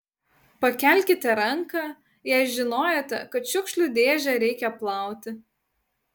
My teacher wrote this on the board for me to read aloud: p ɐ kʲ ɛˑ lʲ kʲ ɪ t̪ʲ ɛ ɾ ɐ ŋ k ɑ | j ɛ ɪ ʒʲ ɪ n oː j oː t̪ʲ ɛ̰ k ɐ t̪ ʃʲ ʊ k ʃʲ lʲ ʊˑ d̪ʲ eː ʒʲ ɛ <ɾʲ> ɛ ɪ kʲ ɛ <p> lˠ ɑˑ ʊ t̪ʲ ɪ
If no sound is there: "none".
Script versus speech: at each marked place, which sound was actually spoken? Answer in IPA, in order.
ɾʲ, p

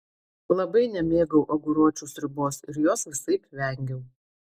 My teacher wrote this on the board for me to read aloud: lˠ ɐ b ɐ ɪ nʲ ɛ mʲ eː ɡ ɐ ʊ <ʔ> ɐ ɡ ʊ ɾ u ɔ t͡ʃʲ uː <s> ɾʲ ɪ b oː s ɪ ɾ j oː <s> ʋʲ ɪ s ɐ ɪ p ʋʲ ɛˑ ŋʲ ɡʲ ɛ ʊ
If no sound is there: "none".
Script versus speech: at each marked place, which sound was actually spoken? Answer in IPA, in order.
ʔ, s, s

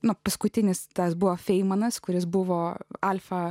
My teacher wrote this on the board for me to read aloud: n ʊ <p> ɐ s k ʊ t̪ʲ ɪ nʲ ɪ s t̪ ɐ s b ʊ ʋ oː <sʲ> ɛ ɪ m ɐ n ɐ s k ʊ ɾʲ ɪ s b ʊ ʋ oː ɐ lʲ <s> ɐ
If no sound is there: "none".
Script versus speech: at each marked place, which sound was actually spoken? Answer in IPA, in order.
p, fʲ, f

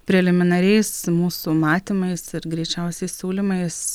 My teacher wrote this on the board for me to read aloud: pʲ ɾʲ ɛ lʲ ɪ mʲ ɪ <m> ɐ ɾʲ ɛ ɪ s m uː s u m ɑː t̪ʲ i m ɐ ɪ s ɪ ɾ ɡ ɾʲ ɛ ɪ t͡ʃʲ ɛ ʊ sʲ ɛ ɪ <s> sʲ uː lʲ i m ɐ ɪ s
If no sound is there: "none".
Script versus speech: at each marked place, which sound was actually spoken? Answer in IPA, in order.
n, s

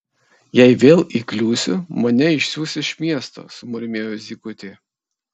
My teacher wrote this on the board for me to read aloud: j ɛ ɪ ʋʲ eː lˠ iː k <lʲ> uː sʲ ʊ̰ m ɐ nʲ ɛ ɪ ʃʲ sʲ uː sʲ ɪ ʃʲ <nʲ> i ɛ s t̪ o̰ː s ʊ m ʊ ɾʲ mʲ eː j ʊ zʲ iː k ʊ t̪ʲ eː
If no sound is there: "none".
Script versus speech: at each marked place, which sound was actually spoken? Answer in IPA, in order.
lʲ, mʲ

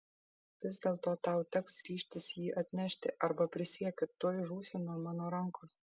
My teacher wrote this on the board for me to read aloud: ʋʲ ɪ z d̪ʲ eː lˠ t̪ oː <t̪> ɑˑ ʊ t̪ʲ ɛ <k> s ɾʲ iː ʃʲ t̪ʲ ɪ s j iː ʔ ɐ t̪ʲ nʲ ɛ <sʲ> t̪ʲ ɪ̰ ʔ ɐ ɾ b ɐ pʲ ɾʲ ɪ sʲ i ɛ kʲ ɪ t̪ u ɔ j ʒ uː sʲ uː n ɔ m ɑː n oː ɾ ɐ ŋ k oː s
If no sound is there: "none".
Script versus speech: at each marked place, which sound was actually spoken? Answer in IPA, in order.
t̪, k, ʃʲ

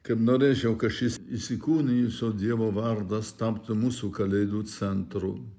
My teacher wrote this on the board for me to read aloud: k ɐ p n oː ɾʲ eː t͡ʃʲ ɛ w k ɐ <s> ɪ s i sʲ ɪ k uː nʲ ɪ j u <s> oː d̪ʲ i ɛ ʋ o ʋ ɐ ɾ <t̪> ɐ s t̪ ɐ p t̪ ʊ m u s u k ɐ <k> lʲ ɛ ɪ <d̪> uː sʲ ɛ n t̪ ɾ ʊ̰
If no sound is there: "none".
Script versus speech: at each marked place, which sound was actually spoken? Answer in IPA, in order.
ʃ, s, d̪, none, d̪

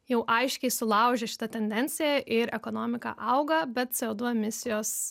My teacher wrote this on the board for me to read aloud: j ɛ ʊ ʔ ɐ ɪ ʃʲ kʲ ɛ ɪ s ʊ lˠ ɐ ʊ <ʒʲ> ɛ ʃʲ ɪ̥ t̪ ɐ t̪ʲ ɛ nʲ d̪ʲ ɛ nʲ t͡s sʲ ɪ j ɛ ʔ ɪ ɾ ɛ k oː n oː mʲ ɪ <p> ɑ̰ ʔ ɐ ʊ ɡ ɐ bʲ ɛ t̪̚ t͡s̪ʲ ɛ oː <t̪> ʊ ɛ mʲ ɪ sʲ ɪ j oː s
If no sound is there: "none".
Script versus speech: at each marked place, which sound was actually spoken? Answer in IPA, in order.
ʒʲ, k, d̪

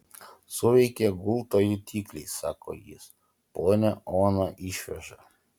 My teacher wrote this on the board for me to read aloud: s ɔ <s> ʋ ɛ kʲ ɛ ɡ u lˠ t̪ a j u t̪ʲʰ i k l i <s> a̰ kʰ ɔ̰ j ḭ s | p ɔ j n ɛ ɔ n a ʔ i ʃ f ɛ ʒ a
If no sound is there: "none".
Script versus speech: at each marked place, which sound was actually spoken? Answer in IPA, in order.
none, s

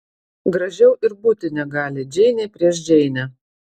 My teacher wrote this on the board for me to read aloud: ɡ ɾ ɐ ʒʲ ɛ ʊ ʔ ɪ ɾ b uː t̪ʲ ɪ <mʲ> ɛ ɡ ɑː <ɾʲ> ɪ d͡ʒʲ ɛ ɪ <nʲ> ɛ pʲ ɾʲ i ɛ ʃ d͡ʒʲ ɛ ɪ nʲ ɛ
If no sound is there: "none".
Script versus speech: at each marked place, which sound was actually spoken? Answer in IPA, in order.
nʲ, lʲ, nʲ

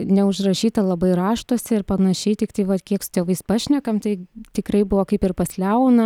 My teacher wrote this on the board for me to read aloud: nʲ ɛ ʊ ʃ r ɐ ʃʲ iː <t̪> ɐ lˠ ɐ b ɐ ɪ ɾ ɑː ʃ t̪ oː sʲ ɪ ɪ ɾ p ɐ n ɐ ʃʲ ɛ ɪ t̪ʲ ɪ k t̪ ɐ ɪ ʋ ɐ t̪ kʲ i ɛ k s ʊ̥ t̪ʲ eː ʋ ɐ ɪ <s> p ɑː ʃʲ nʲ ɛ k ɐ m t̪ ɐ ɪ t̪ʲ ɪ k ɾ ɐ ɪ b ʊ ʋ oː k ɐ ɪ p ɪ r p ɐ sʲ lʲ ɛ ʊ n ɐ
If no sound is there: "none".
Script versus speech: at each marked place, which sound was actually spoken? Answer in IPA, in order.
t̪, s

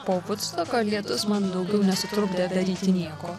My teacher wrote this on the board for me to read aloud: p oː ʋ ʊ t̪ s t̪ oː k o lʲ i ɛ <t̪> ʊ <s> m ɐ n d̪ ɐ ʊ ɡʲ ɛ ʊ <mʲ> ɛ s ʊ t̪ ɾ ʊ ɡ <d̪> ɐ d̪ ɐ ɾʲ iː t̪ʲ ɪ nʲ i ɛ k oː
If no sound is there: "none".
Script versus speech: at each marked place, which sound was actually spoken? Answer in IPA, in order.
t̪, s, nʲ, d̪

